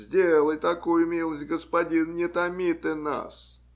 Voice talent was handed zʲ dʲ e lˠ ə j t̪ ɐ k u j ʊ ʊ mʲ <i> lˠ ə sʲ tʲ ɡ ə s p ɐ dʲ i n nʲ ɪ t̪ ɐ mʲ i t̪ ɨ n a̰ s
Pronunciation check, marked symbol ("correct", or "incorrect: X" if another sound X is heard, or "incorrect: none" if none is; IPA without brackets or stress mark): correct